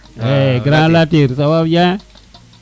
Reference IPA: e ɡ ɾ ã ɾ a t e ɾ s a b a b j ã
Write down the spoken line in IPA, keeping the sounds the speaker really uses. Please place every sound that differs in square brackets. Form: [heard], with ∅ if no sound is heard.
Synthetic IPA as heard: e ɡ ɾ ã [l] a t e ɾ s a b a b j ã